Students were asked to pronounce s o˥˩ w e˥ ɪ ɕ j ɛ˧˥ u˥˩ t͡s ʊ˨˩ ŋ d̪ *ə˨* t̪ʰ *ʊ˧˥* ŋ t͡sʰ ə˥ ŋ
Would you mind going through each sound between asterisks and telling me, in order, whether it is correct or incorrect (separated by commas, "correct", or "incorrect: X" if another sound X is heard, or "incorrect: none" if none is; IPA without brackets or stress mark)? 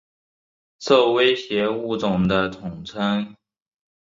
incorrect: ə˦, incorrect: ʊ˨˩